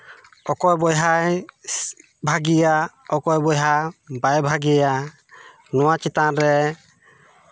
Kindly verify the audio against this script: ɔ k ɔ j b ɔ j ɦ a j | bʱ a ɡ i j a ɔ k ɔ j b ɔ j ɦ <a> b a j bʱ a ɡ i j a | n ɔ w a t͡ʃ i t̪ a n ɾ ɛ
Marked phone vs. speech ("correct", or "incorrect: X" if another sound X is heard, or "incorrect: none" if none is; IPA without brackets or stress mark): correct